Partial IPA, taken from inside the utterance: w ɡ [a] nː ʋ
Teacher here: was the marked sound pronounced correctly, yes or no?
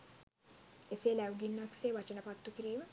no